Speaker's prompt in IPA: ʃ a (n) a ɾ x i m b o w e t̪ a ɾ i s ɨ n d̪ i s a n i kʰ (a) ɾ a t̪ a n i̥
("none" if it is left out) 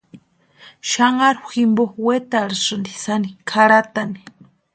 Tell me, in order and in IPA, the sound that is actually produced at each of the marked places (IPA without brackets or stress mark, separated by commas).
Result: ŋ, a